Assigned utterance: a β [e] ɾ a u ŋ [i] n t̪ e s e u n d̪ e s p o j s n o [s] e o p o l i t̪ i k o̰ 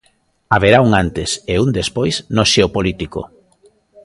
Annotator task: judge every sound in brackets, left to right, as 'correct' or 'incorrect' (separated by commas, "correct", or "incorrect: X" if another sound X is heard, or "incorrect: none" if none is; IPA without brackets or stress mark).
correct, incorrect: a, incorrect: ʃ